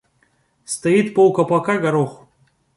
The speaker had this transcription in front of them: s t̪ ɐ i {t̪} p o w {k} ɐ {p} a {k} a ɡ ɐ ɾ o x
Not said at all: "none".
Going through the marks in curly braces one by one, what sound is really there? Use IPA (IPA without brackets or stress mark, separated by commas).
t̪, k, p, k